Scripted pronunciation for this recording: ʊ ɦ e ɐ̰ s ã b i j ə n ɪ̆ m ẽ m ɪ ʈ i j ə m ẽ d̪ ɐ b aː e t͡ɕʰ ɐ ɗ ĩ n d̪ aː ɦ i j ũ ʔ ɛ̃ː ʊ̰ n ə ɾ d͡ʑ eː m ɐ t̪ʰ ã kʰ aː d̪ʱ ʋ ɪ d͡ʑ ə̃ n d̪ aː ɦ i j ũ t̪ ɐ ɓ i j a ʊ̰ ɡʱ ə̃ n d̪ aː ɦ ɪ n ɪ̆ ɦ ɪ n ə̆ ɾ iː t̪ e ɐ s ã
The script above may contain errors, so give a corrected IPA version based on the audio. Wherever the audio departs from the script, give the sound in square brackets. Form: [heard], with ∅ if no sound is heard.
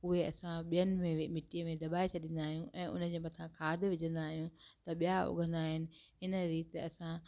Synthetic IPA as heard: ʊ ɦ e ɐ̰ s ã [ɓ] i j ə n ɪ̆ m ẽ m ɪ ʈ i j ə m ẽ d̪ ɐ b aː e t͡ɕʰ ɐ ɗ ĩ n d̪ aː ɦ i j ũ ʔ ɛ̃ː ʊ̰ n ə [∅] d͡ʑ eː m ɐ t̪ʰ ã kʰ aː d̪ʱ ʋ ɪ d͡ʑ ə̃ n d̪ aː ɦ i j ũ t̪ ɐ ɓ i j a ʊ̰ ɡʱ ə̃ n d̪ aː ɦ ɪ n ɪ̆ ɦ ɪ n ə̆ ɾ iː t̪ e ɐ s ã